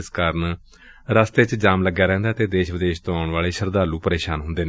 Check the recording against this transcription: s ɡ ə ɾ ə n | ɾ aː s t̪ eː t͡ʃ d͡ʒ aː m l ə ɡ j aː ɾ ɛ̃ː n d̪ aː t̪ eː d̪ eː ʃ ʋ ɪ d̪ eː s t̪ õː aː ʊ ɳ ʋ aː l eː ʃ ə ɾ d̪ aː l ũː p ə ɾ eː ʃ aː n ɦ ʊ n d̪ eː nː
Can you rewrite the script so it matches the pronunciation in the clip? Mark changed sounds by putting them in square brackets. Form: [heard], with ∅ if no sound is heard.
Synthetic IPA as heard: s [k] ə ɾ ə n | ɾ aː s t̪ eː t͡ʃ d͡ʒ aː m l ə ɡ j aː ɾ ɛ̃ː n d̪ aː t̪ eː d̪ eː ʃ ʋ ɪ d̪ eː [ʃ] t̪ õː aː ʊ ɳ ʋ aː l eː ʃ ə ɾ d̪ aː l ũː p ə ɾ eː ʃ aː n ɦ ʊ n d̪ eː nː